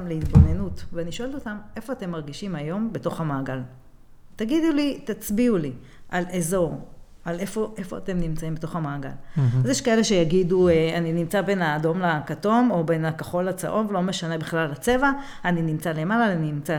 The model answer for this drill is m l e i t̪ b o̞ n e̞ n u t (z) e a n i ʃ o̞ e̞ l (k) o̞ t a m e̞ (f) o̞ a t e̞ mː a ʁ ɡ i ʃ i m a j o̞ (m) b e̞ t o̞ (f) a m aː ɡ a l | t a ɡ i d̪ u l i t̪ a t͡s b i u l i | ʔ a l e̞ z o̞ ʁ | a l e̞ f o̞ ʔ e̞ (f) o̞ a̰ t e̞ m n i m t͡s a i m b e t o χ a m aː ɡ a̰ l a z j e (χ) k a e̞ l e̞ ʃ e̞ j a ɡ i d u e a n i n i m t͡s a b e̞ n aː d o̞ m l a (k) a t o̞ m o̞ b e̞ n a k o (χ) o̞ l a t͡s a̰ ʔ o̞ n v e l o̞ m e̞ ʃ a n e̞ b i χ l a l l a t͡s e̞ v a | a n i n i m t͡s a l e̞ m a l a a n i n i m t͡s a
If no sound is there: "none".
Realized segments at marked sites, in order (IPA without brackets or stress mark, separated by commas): v, t, f, m, χ, f, ʃ, k, χ